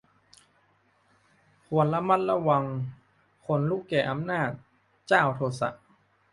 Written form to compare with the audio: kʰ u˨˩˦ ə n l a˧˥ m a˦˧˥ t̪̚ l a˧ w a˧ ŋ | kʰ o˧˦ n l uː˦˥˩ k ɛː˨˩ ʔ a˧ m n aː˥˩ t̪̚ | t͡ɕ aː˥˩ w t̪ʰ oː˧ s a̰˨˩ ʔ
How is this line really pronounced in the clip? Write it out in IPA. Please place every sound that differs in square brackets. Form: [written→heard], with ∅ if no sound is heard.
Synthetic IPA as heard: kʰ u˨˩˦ ə n l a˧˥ m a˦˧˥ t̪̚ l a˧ w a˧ ŋ | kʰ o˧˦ n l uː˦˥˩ k ɛː˨˩ ʔ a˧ m n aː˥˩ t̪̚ | t͡ɕ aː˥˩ w t̪ʰ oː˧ s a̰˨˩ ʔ